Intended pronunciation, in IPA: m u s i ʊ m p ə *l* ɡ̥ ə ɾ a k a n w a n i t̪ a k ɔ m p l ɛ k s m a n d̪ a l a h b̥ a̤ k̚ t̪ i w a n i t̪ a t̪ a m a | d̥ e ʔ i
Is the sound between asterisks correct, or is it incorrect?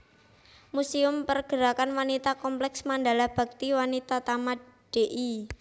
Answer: incorrect